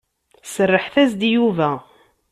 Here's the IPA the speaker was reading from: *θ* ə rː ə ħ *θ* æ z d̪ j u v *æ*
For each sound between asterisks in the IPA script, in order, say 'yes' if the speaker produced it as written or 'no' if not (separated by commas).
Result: no, yes, yes